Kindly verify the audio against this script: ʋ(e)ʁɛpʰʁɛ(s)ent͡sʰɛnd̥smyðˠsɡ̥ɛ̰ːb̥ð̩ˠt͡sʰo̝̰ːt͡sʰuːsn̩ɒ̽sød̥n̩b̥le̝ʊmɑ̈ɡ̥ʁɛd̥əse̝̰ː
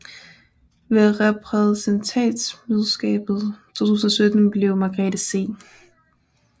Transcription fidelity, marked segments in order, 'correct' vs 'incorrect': correct, correct

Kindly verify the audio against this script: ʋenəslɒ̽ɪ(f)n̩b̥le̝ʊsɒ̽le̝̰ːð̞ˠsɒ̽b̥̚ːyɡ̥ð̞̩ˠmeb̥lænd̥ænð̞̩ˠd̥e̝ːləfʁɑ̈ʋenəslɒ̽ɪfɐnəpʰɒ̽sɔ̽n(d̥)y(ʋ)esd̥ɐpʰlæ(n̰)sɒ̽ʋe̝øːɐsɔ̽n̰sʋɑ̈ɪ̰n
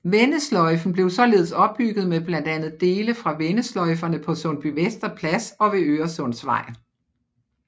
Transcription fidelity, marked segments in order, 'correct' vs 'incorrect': correct, incorrect: b̥, correct, incorrect: none

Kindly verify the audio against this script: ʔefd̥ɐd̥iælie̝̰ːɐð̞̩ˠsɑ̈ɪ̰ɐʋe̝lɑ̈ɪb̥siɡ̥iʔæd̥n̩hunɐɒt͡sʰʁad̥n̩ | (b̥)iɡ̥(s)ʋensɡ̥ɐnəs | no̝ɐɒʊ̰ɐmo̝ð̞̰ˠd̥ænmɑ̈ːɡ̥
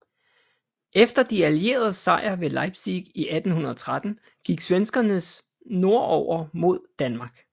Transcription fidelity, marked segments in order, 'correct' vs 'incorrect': incorrect: ɡ̥, correct

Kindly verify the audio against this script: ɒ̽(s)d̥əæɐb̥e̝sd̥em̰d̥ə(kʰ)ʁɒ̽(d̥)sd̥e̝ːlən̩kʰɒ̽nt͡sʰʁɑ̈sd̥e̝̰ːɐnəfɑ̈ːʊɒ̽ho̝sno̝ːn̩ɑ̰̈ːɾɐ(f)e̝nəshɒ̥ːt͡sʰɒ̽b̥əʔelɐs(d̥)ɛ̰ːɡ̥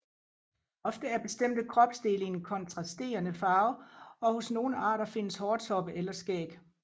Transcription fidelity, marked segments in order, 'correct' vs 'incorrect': incorrect: f, correct, incorrect: b̥, correct, incorrect: ɡ̥

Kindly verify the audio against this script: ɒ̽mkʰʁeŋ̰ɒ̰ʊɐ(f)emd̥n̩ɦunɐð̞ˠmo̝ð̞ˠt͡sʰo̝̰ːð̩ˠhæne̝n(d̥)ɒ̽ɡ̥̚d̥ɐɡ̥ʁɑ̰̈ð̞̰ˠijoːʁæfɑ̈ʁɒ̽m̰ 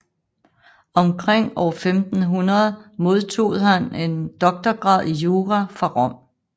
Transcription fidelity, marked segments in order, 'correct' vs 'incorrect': correct, correct

